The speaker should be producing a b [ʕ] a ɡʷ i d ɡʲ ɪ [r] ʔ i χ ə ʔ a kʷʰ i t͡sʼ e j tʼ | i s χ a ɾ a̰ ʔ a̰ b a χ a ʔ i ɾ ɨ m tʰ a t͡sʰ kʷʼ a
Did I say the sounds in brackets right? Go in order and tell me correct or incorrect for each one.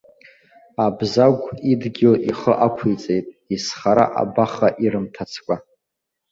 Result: incorrect: z, incorrect: l

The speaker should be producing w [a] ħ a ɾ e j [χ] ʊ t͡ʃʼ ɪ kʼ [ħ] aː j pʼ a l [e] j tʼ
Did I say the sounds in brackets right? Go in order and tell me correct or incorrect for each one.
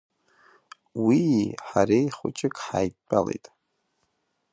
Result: incorrect: i, correct, correct, correct

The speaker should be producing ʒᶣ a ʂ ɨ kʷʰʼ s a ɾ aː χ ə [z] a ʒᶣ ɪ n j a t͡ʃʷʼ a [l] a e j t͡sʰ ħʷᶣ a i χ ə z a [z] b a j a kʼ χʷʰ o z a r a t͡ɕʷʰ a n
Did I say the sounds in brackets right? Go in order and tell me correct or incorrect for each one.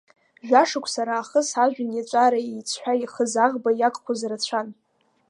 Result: incorrect: s, incorrect: ɾ, incorrect: ʁ

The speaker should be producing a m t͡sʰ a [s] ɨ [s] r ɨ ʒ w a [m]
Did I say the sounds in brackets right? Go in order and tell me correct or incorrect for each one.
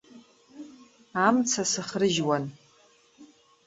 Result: correct, incorrect: χ, incorrect: n

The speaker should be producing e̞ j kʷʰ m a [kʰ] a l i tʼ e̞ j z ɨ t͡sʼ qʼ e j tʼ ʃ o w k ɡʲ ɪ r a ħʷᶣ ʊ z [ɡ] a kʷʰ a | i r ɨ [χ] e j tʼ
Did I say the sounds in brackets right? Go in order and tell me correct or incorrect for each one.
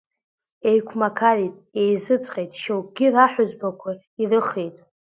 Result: correct, incorrect: b, correct

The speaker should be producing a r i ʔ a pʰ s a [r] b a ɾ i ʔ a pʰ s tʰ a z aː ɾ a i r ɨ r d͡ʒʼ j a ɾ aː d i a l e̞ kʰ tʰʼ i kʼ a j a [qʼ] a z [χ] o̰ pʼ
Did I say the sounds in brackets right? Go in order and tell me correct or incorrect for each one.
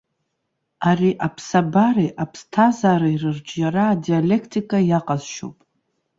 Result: incorrect: none, correct, incorrect: ʃ

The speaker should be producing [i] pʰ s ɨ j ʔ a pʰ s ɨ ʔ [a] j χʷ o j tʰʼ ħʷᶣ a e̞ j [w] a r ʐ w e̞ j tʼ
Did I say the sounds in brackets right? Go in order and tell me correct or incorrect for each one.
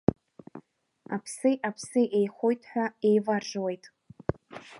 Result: incorrect: a, incorrect: e, incorrect: v

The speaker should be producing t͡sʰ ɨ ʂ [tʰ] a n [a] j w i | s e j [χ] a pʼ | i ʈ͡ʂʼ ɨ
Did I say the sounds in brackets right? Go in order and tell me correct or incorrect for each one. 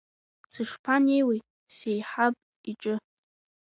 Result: incorrect: pʰ, incorrect: e, incorrect: ħ

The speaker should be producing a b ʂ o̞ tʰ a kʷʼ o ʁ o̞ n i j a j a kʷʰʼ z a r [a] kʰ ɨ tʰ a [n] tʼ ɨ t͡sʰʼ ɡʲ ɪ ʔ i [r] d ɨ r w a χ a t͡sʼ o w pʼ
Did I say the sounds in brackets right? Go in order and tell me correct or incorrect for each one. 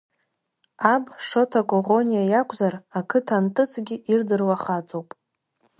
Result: correct, correct, correct

